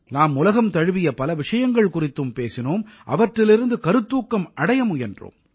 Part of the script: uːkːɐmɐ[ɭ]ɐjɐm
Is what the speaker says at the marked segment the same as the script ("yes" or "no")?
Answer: no